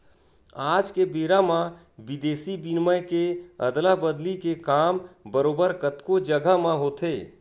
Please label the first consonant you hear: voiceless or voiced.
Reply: voiced